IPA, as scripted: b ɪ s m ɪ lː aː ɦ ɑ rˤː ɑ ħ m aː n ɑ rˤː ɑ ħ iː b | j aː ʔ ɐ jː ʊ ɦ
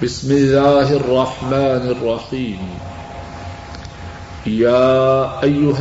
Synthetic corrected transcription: b ɪ s m ɪ lː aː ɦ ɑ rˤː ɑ ħ m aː n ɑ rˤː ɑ ħ iː m | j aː ʔ a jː ʊ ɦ